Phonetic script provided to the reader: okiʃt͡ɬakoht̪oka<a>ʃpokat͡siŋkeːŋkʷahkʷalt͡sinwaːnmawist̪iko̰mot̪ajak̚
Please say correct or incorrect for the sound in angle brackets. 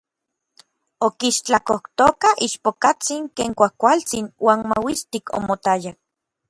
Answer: incorrect